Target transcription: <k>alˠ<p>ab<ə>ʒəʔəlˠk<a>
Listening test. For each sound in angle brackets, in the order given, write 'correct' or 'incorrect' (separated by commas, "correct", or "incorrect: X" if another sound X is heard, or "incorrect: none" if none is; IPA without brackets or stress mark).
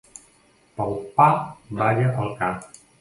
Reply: incorrect: p, correct, incorrect: a, correct